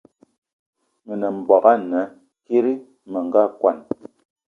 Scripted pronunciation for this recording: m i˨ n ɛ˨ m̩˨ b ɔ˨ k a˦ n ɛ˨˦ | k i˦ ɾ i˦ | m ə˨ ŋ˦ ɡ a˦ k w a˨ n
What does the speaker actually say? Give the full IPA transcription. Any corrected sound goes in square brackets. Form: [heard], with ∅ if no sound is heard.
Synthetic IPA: m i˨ n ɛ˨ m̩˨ b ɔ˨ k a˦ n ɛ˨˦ | k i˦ ɾ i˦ | m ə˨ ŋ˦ ɡ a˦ k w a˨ n